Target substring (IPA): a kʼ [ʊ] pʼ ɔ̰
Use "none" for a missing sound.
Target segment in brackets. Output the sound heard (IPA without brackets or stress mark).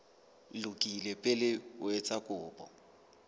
ʊː